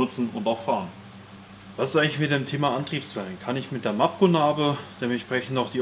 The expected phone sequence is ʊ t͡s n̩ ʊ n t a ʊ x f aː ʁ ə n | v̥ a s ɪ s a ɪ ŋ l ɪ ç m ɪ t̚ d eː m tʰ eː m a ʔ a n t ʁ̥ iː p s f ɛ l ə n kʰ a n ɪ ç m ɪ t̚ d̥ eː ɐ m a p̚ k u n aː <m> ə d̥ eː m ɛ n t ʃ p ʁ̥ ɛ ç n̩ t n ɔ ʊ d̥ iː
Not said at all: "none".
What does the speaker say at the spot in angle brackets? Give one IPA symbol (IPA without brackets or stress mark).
b